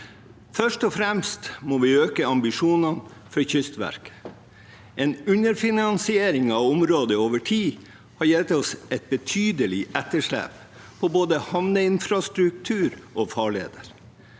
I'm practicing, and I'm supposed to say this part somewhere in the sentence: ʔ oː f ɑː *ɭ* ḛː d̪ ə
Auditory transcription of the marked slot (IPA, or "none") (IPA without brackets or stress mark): ɭ